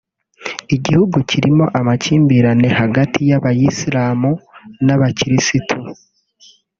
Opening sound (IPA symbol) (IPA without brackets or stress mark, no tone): i